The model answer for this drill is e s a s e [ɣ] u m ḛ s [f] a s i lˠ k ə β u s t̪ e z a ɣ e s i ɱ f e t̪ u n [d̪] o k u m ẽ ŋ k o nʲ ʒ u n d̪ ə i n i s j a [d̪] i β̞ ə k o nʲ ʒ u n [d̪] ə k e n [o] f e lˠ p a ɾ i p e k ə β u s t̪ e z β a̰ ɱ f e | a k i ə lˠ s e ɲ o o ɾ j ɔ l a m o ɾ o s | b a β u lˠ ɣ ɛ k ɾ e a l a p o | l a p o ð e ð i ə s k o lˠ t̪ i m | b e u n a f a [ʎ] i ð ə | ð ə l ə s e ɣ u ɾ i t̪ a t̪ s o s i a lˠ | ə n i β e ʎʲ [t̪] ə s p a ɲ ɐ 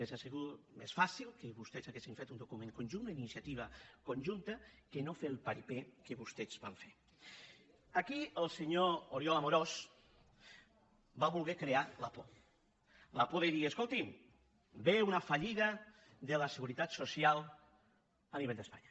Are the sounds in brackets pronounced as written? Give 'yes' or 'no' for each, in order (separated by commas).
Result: yes, yes, yes, no, no, yes, yes, no